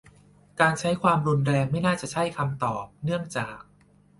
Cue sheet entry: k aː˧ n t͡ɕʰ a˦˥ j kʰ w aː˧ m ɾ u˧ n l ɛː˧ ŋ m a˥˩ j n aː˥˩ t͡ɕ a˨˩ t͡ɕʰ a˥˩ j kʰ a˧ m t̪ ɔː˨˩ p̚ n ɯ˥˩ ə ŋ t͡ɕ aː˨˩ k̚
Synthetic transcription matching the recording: k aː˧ n t͡ɕʰ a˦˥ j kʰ w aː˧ m ɾ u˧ n ɾ ɛː˧ ŋ m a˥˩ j n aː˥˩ t͡ɕ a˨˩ t͡ɕʰ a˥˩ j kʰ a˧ m t̪ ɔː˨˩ p̚ n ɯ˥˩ ə ŋ t͡ɕ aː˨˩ k̚